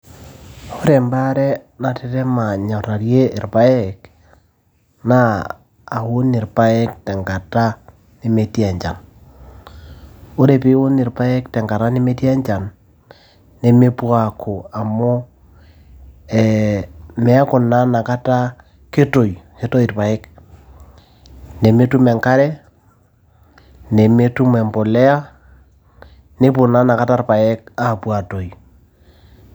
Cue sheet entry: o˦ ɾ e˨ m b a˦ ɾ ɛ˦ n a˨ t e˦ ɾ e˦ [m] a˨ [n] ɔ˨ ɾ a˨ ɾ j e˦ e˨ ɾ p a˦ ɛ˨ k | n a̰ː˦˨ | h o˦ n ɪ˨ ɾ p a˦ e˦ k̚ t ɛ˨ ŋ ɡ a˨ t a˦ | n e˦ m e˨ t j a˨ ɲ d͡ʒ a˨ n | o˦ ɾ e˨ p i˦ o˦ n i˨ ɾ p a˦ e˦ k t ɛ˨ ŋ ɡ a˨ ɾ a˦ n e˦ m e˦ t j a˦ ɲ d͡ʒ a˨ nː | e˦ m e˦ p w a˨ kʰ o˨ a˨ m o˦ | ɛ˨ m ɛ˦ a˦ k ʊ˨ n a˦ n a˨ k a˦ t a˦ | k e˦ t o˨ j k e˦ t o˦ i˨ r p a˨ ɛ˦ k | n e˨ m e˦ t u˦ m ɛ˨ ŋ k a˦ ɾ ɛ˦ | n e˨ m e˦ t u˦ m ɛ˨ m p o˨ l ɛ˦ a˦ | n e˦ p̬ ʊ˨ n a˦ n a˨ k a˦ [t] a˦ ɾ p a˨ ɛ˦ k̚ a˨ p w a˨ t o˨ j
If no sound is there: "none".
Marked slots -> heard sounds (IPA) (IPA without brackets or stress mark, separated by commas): m, ɲ, t